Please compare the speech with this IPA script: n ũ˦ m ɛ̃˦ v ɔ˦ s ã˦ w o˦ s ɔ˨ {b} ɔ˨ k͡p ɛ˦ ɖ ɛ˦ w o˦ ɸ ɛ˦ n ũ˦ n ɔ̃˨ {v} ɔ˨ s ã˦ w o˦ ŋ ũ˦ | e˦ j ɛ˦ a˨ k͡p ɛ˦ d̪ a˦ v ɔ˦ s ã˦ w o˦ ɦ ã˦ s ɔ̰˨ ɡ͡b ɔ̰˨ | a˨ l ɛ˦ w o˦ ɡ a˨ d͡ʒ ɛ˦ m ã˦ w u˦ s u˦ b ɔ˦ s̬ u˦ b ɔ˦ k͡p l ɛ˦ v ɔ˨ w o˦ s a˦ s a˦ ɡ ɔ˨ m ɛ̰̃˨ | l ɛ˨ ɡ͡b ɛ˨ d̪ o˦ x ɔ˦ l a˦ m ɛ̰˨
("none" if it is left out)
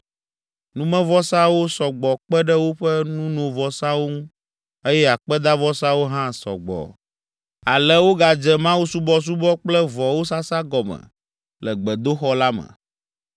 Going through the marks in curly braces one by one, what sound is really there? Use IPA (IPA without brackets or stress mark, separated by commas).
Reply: ɡ͡b, v